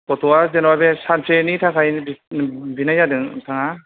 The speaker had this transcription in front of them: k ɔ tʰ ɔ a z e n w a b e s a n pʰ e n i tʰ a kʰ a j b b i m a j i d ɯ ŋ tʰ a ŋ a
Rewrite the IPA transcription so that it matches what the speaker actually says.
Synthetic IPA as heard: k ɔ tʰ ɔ a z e n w a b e s a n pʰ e n i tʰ a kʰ a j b b i n a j a d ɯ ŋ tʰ a ŋ a